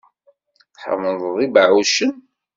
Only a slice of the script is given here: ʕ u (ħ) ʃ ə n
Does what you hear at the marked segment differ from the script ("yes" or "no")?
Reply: yes